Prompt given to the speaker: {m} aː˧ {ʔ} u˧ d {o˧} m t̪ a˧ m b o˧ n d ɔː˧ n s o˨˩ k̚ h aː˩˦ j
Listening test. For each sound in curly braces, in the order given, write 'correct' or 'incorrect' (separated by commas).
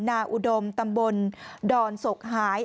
incorrect, correct, correct